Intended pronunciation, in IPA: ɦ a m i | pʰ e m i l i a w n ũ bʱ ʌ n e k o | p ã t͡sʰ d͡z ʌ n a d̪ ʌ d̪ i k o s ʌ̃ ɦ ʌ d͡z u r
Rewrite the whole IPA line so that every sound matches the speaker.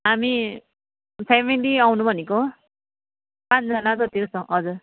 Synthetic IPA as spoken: ɦ a m i | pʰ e m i l i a w n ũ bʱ ʌ n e k o | p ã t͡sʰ d͡z ʌ n a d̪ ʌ t̪ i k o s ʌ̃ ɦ ʌ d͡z u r